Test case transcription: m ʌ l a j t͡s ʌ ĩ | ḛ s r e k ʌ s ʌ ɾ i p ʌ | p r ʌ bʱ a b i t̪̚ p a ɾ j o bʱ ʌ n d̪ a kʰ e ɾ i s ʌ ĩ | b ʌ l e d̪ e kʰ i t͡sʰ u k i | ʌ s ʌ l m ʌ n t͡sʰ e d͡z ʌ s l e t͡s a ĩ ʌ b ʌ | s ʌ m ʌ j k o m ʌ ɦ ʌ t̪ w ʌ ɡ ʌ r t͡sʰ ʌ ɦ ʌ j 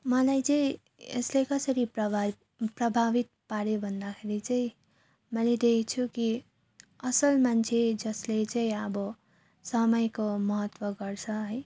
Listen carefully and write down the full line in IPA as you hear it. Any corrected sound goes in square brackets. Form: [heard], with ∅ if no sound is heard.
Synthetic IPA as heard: m ʌ l a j t͡s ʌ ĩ | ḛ s [l] e k ʌ s ʌ ɾ i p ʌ | p r ʌ bʱ a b i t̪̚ p a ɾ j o bʱ ʌ n d̪ a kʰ e ɾ i [t͡s] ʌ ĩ | [m] ʌ l e d̪ e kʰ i t͡sʰ u k i | ʌ s ʌ l m [a] n t͡sʰ e d͡z ʌ s l e t͡s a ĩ ʌ b ʌ | s ʌ m ʌ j k o m ʌ ɦ ʌ t̪ w ʌ ɡ ʌ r t͡sʰ ʌ ɦ ʌ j